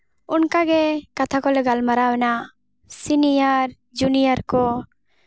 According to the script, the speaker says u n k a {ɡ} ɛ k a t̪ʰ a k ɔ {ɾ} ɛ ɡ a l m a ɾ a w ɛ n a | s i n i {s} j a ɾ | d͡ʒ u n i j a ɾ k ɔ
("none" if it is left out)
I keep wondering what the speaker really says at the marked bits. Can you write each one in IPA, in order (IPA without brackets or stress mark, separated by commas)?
ɡ, l, none